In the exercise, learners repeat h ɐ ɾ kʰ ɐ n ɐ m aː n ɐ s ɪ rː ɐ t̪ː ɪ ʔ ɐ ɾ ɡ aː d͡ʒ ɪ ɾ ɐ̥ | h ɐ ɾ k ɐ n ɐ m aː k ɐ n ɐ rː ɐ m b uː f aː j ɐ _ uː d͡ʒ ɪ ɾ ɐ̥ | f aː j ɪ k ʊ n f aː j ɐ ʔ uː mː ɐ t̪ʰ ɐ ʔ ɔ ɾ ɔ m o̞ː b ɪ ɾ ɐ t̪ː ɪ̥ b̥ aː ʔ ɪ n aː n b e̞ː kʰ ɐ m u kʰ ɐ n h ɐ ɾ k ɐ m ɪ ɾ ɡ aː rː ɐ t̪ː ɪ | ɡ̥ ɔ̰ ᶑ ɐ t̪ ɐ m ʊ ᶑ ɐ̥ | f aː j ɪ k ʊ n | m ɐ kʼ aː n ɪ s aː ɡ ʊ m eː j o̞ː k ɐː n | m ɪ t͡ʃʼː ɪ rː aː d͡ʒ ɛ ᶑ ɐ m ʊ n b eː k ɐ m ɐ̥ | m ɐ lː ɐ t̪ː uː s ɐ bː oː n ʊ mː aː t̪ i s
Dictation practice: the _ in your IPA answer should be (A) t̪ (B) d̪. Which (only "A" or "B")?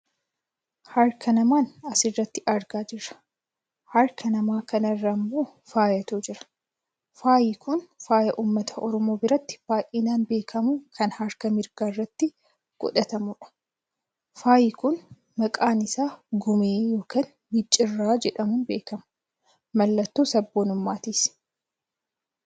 A